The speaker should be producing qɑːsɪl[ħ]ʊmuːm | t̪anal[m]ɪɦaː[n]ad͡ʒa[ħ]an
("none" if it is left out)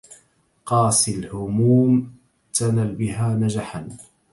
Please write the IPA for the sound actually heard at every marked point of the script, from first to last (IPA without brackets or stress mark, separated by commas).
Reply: h, b, n, ħ